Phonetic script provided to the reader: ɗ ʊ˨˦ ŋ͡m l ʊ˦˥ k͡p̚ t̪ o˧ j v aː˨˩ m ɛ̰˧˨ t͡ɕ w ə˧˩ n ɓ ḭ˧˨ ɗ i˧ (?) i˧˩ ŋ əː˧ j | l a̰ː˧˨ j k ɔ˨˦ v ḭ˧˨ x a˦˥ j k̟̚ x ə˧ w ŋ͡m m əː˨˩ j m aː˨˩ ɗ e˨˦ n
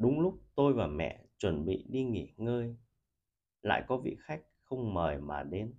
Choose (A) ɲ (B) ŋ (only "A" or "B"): B